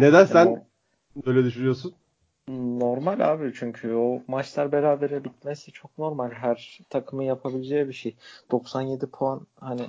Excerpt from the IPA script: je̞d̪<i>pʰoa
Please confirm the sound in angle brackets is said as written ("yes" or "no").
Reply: yes